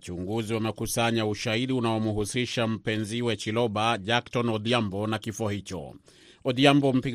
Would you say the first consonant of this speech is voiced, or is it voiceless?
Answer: voiceless